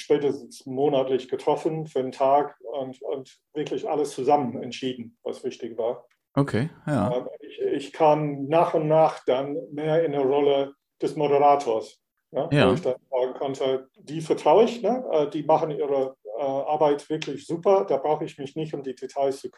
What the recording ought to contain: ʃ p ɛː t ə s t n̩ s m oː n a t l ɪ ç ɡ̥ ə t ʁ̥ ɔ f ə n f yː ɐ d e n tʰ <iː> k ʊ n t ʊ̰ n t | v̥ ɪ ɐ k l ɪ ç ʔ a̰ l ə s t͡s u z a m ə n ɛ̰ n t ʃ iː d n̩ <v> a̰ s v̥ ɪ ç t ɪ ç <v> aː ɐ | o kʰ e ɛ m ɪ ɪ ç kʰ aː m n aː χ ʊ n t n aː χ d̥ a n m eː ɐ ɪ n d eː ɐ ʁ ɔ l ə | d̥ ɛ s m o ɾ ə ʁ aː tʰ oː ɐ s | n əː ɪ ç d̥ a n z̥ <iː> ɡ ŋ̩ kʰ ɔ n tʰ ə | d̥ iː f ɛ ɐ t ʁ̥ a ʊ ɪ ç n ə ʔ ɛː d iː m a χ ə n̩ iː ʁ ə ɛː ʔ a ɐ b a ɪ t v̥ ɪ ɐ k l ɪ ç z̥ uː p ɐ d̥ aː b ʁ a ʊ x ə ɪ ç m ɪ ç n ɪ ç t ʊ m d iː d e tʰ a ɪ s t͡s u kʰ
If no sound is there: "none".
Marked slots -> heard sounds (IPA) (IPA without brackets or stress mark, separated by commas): aː, v, v, aː